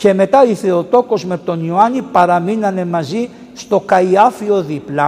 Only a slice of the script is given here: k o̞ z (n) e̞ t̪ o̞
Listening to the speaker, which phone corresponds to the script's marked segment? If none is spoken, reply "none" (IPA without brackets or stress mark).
m